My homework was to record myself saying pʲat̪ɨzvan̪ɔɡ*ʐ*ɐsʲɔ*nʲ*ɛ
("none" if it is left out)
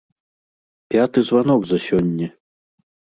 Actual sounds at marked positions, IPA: z, nʲː

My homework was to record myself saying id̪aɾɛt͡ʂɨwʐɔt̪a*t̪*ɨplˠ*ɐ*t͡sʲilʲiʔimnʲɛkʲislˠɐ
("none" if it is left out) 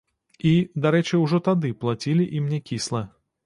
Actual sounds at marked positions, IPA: d̪, a

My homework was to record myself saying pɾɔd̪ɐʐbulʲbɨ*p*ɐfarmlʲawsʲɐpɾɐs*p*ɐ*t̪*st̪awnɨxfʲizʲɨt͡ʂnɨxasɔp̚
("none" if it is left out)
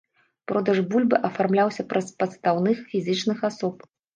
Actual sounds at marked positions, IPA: ʔ, p, t̪

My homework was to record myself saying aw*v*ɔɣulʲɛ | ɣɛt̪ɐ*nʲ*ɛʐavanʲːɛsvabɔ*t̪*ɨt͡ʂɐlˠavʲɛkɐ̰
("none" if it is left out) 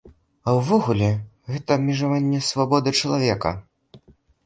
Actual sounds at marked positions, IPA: v, mʲ, d̪

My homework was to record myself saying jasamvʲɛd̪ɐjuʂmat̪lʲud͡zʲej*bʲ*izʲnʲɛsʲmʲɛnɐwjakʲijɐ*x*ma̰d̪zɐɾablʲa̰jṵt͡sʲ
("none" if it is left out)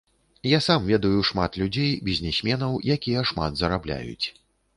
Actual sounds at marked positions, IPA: bʲ, ʂ

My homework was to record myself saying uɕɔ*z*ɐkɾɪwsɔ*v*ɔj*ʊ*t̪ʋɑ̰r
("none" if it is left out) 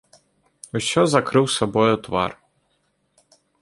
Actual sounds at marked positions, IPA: z, b, ʊ

